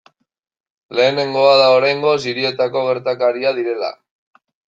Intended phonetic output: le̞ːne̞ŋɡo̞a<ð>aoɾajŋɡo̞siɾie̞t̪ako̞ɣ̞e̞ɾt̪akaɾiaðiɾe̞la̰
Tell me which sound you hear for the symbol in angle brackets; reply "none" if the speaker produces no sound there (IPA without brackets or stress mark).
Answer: ð